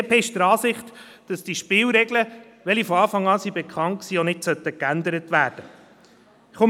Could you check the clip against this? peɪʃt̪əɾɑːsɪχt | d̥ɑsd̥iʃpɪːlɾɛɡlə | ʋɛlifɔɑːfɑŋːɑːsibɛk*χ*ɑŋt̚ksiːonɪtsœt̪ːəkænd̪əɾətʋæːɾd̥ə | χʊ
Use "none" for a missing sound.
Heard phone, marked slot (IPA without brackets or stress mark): χ